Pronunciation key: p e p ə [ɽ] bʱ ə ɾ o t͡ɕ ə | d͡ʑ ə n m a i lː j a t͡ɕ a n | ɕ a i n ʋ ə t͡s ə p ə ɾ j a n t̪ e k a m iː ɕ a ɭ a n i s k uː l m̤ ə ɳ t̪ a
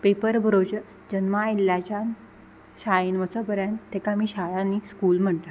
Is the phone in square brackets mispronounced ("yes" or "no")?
yes